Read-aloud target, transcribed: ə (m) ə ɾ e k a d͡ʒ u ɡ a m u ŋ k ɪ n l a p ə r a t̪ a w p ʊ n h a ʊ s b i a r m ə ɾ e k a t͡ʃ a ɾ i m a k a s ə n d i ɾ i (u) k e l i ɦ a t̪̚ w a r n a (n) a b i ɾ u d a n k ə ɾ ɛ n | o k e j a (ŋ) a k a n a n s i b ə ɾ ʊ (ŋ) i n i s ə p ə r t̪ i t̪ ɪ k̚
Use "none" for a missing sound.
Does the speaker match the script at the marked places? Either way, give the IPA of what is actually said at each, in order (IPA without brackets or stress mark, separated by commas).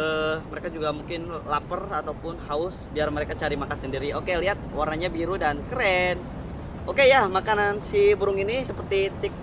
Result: m, o, ɲ, m, ŋ